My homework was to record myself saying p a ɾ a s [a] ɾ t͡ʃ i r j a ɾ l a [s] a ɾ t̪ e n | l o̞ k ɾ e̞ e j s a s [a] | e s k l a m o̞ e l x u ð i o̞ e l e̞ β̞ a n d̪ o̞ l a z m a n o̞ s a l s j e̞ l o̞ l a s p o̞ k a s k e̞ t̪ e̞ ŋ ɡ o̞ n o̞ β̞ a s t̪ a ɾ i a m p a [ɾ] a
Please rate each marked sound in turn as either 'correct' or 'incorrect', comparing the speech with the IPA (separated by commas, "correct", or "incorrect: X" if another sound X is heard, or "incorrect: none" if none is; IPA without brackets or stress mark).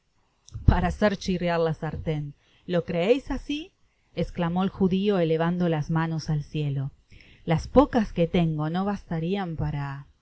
incorrect: e, correct, incorrect: i, correct